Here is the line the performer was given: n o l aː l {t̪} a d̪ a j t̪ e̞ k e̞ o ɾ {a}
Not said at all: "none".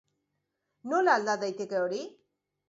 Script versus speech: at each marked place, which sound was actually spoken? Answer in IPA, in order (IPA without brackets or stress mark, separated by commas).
d̪, i